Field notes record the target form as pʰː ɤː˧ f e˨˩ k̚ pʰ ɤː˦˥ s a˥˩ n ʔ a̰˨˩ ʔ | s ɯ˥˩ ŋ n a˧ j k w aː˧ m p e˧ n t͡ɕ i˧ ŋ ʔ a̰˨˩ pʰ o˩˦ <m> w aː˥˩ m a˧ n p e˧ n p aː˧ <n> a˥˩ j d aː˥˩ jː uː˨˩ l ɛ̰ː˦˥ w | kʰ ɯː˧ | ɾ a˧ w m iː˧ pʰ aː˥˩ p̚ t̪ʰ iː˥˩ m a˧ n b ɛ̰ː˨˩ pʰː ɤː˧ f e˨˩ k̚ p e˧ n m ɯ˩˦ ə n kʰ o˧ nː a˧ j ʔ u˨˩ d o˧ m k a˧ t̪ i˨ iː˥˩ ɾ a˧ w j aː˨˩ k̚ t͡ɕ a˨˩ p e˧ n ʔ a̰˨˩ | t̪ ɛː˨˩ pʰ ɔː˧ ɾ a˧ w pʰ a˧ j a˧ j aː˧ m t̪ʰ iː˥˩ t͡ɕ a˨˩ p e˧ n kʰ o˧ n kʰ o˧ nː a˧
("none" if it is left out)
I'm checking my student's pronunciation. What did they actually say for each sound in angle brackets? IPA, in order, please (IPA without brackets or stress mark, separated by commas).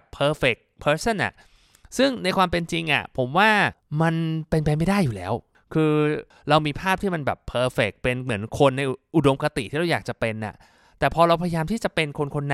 m, m